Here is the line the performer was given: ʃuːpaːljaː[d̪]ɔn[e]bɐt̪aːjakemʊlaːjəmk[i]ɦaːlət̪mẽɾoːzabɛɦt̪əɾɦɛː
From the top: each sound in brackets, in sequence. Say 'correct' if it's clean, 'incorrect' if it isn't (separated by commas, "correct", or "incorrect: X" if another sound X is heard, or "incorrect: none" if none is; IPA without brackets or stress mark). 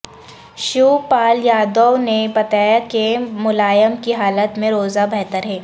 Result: correct, correct, correct